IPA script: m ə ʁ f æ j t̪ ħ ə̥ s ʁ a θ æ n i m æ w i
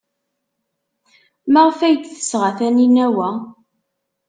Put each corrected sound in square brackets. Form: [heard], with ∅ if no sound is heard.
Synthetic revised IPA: m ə ʁ f æ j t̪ [θ] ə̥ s ʁ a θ æ n i [n] æ w [æ]